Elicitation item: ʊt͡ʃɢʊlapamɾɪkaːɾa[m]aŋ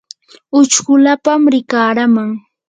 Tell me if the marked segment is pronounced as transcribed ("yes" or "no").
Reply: yes